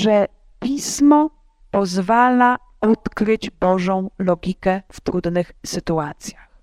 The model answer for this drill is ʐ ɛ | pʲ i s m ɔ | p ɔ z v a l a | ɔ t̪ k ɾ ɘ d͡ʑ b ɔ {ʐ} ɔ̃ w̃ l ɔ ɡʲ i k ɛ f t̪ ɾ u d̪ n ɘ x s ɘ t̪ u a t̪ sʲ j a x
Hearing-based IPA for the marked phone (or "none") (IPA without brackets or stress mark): ʐ